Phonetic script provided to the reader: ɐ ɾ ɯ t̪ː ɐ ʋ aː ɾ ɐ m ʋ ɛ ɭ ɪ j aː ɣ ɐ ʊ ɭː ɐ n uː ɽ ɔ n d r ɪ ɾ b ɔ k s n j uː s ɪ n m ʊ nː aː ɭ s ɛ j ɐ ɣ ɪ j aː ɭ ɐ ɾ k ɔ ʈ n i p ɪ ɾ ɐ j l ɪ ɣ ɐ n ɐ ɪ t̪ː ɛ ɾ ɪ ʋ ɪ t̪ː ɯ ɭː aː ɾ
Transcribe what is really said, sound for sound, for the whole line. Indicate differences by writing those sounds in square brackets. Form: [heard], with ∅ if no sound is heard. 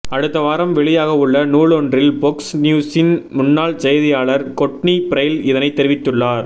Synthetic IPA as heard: ɐ [ɽ] ɯ t̪ː ɐ ʋ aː ɾ ɐ m ʋ ɛ ɭ ɪ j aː ɣ ɐ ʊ ɭː ɐ n uː [ɭ] ɔ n d r ɪ [l] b ɔ k s n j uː s ɪ n m ʊ nː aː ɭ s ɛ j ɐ [ð] ɪ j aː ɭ ɐ ɾ k ɔ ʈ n i p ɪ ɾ ɐ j l ɪ [ð] ɐ n ɐ ɪ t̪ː ɛ ɾ ɪ ʋ ɪ t̪ː ɯ ɭː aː ɾ